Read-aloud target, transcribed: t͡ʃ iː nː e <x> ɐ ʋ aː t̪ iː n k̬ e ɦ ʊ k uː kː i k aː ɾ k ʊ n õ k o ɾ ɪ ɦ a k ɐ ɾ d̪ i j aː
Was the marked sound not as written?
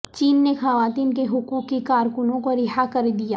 no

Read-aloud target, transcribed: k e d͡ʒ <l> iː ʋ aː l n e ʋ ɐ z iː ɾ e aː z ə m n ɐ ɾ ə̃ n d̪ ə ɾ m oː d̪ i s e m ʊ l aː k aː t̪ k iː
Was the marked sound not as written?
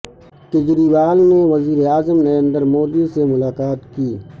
yes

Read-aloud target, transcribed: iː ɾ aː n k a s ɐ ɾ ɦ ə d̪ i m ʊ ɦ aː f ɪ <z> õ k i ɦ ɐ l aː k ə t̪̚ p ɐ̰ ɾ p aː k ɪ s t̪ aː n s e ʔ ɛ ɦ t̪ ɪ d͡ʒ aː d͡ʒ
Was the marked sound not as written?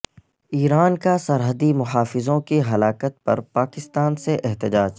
no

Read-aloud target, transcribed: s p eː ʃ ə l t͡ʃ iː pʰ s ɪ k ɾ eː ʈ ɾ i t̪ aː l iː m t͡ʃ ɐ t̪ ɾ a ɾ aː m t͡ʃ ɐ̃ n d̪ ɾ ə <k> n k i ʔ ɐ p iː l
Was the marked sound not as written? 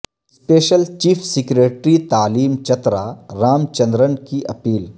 yes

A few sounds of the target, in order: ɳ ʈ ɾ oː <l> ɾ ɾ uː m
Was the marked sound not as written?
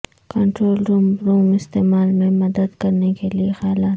no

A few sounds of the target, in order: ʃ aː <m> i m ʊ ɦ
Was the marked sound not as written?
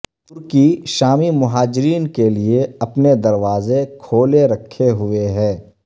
no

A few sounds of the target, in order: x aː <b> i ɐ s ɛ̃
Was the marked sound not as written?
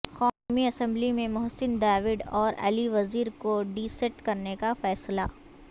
yes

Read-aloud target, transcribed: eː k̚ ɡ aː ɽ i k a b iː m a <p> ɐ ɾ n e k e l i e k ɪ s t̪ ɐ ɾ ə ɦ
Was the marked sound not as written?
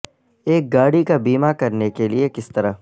yes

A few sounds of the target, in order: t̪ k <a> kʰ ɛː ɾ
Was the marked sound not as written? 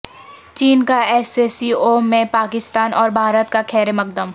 no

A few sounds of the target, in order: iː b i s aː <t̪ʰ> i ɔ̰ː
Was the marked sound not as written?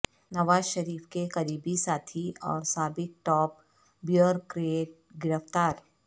no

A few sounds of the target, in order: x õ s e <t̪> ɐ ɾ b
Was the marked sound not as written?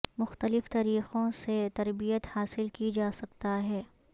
no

